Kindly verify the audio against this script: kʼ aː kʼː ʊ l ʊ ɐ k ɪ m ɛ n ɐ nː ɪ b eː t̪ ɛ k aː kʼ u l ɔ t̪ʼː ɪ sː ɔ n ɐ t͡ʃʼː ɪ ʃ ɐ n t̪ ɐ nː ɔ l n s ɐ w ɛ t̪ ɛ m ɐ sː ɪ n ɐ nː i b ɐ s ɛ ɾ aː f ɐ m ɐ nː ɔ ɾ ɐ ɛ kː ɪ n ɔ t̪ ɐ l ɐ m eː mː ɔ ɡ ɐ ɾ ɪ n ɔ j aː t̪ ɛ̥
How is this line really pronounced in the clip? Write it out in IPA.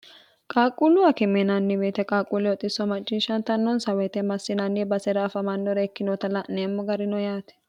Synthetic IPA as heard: kʼ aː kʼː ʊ l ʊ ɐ k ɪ m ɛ n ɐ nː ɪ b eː t̪ ɛ kʼ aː kʼ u l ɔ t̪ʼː ɪ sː ɔ m ɐ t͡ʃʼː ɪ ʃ ɐ n t̪ ɐ nː ɔ n s ɐ w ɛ t̪ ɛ m ɐ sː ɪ n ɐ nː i b ɐ s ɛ ɾ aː f ɐ m ɐ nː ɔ ɾ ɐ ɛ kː ɪ n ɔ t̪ ɐ l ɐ n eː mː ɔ ɡ ɐ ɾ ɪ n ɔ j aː t̪ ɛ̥